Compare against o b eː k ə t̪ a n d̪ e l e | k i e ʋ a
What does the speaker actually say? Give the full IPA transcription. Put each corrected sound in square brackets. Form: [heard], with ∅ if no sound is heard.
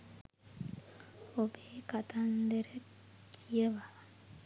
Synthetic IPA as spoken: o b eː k [a] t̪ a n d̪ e [ɾ] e | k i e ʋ a